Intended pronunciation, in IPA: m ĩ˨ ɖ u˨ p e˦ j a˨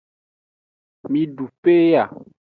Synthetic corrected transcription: m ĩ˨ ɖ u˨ p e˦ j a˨